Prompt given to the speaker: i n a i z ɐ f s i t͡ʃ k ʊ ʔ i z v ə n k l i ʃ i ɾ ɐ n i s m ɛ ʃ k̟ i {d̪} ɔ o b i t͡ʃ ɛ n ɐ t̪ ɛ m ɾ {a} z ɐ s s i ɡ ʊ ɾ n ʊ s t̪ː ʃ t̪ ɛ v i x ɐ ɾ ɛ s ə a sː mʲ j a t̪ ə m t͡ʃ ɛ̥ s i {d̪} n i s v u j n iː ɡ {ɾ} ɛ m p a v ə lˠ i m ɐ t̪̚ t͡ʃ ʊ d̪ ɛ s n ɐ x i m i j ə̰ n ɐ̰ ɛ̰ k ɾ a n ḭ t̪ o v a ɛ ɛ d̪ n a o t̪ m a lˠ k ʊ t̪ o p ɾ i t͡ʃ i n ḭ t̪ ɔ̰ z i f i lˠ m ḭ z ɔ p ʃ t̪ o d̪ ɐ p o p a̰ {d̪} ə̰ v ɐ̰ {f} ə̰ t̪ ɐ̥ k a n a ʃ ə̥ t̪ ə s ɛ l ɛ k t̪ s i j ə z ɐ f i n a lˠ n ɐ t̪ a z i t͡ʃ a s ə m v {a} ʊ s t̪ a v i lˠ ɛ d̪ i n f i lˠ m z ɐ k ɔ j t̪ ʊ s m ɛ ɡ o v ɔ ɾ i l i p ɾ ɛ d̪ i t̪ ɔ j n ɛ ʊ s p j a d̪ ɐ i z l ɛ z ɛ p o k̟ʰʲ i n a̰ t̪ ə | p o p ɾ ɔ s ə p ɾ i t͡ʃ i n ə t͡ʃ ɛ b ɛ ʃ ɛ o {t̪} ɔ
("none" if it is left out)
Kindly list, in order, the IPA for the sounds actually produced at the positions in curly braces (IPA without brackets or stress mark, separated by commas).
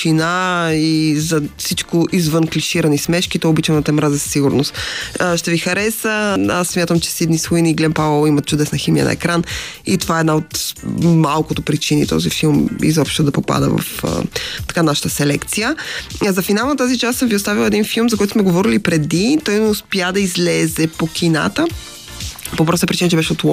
t̪, a, d̪, l, d̪, f, i, t̪